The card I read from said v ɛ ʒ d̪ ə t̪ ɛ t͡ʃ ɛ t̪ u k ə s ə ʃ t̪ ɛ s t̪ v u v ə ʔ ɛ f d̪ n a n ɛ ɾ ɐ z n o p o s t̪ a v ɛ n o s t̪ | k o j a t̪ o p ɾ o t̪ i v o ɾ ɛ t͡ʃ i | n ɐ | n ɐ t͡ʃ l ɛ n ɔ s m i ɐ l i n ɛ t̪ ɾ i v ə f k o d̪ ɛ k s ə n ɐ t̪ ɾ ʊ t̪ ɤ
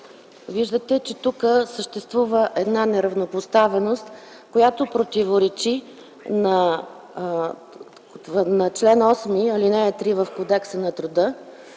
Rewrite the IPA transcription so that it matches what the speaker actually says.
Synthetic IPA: v i ʒ d̪ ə t̪ ɛ t͡ʃ ɛ t̪ u k ə s ə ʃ t̪ ɛ s t̪ v u v ə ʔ ɛ d̪ n a n ɛ ɾ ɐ v n o p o s t̪ a v ɛ n o s t̪ | k o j a t̪ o p ɾ o t̪ i v o ɾ ɛ t͡ʃ i | n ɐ | n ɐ t͡ʃ l ɛ n ɔ s m i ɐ l i n ɛ t̪ ɾ i v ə f k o d̪ ɛ k s ə n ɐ t̪ ɾ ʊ d̪ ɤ